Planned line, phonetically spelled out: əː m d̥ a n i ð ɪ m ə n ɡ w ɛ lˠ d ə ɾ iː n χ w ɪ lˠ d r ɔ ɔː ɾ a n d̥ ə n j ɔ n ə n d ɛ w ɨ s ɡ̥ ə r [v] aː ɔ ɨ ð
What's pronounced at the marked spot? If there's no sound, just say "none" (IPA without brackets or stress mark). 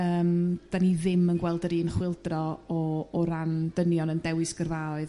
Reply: v